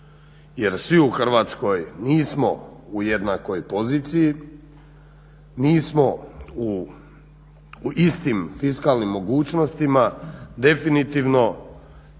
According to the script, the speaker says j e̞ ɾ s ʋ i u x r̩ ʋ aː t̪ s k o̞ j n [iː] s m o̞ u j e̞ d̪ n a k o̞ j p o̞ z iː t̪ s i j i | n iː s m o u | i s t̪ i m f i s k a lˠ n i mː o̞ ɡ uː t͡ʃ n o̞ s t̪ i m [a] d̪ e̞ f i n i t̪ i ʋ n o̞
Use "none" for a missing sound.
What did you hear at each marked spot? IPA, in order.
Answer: iː, a

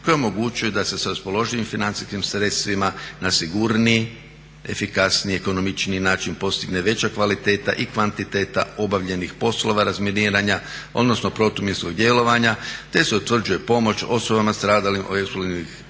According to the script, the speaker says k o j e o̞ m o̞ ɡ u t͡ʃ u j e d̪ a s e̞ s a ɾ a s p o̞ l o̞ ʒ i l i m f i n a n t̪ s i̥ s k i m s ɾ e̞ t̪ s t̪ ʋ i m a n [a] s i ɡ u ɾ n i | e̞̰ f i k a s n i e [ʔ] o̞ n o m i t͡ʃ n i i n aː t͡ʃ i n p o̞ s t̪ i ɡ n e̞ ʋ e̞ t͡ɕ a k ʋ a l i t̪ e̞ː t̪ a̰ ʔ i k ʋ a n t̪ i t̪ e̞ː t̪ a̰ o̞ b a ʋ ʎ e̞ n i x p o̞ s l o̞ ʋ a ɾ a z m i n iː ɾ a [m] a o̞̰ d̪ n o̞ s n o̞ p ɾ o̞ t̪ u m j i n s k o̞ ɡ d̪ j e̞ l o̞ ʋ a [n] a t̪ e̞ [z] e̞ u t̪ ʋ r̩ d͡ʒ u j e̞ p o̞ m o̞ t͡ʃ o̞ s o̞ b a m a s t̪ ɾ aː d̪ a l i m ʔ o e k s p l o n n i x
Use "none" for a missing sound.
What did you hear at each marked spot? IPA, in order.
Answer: a, k, ɲ, ɲ, s

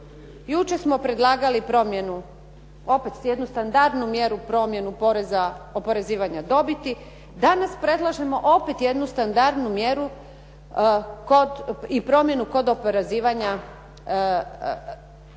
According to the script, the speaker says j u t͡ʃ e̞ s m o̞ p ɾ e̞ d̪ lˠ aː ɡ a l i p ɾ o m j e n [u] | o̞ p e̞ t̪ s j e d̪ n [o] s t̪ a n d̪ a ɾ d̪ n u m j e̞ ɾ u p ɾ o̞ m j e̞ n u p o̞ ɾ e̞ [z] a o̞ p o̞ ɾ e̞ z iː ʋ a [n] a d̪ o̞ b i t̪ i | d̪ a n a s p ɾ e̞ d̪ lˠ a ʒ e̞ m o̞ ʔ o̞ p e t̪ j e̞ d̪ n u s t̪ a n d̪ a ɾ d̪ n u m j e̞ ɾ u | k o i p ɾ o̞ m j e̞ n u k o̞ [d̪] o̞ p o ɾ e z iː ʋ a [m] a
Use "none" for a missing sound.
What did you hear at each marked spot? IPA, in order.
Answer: u, u, z, ɲ, d̪, ɲ

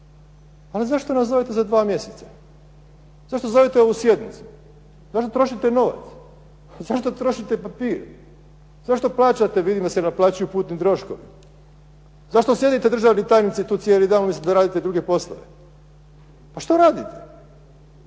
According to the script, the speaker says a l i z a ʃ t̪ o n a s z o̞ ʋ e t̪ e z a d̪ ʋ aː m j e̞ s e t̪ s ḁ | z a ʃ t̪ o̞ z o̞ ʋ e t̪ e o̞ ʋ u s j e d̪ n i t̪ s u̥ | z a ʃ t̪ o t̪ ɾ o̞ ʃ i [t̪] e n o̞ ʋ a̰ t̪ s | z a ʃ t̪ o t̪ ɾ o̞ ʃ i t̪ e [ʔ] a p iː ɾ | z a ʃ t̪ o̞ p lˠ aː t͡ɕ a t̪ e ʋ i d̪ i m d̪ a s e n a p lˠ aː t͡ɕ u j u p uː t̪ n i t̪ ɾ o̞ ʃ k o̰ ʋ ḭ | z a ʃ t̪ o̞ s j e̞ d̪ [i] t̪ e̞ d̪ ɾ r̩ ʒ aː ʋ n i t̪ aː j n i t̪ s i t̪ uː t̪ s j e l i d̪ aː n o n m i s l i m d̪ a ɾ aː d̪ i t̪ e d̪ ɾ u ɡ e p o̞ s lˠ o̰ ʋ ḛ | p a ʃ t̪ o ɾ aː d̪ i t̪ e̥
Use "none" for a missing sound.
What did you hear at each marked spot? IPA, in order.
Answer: t̪, p, i

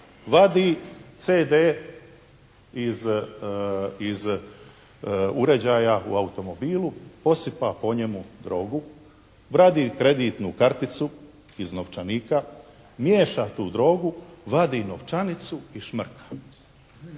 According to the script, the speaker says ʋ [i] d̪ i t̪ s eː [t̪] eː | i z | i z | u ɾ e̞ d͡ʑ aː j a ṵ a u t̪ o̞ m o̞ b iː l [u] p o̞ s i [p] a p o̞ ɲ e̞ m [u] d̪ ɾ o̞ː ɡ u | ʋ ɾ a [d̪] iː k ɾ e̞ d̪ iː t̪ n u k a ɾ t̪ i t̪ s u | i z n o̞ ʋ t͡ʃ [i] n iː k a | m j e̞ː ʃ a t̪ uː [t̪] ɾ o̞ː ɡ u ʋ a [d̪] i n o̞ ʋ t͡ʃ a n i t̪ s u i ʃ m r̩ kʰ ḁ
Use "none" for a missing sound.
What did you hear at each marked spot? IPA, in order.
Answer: a, d̪, u, p, u, d̪, a, d̪, d̪

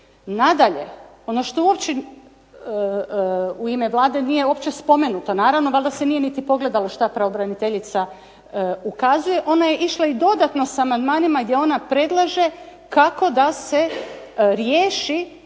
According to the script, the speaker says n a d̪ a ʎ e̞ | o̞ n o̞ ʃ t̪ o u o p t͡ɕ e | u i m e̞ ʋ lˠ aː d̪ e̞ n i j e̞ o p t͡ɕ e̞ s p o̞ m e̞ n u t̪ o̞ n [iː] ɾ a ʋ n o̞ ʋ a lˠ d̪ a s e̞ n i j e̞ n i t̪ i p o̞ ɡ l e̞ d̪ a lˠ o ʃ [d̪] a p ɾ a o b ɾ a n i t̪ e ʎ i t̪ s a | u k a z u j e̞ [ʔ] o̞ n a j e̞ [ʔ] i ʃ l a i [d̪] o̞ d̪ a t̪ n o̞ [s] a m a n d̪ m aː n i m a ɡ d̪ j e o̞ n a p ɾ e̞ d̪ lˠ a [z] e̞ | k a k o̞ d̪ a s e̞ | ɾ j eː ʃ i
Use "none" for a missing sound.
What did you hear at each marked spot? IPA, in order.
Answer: aː, t̪, ʔ, ʔ, d̪, s, ʒ

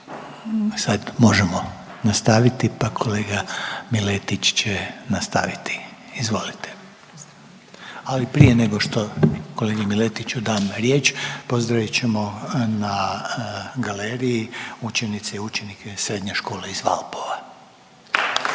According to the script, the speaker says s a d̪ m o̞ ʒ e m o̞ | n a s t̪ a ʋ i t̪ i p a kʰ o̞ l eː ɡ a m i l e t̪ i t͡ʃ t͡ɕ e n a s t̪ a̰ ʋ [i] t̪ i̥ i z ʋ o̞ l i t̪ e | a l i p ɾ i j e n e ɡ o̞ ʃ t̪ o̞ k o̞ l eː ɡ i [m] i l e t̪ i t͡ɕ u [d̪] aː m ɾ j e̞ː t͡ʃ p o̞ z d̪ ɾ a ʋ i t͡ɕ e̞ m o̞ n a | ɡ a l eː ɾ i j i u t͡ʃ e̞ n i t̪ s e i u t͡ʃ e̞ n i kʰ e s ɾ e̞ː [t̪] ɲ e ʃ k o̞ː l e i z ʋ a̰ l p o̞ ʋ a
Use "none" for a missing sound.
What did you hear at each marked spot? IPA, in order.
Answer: i, m, d̪, d̪

